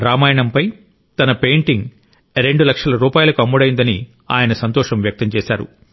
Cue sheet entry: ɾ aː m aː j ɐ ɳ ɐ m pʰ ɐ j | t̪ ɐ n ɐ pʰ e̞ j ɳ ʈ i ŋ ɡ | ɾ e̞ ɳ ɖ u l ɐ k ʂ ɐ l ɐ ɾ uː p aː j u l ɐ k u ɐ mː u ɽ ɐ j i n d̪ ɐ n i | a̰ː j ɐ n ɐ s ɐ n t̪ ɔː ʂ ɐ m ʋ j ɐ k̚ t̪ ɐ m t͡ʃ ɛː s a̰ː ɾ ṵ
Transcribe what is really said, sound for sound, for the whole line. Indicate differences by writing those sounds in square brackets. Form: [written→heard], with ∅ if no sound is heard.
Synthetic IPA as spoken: ɾ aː m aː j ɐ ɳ ɐ m [pʰ→p] ɐ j | t̪ ɐ n ɐ [pʰ→p] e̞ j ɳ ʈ i ŋ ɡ | ɾ e̞ ɳ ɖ u l ɐ k ʂ ɐ l ɐ ɾ uː p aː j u l ɐ k u ɐ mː u ɽ ɐ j i n d̪ ɐ n i | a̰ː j ɐ n ɐ s ɐ n t̪ ɔː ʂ ɐ m ʋ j ɐ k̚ t̪ ɐ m t͡ʃ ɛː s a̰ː ɾ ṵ